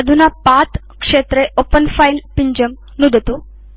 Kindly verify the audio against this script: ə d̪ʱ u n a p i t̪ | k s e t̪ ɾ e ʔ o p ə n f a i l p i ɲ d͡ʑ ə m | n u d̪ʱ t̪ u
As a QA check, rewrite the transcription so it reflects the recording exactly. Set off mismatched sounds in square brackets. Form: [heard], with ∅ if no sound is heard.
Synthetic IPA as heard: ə d̪ʱ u n a p [a] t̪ | k [ʂ] e t̪ ɾ e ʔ o p ə n f a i l p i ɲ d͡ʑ ə m | n u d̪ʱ t̪ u